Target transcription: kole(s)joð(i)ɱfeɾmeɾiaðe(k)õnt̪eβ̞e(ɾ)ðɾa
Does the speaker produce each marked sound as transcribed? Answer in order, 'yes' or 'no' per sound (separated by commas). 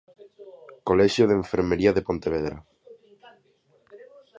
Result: no, no, no, no